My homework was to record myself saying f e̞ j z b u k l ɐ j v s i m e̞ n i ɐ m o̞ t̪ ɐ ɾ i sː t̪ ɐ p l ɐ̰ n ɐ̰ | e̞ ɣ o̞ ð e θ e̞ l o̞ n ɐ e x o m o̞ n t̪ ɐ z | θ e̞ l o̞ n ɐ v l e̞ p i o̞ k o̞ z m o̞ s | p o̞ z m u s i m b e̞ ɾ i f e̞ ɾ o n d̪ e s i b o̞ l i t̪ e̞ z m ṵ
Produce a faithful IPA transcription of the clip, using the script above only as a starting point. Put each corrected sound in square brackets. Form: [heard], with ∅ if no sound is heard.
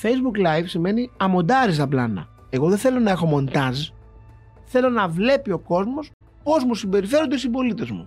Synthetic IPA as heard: f e̞ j z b u k l ɐ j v s i m e̞ n i ɐ m o̞ [d̪] ɐ ɾ i [s] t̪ ɐ p l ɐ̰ n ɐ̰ | e̞ ɣ o̞ ð e θ e̞ l o̞ n ɐ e x o m o̞ n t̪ ɐ z | θ e̞ l o̞ n ɐ v l e̞ p i o̞ k o̞ z m o̞ s | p o̞ z m u s i m b e̞ ɾ i f e̞ ɾ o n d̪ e s i b o̞ l i t̪ e̞ z m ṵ